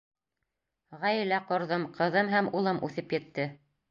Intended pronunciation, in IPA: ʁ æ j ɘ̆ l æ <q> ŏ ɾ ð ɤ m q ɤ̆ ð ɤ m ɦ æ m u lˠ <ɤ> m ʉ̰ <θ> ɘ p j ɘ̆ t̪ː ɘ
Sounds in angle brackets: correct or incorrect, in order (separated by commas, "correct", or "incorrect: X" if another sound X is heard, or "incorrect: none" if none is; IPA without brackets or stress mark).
correct, correct, correct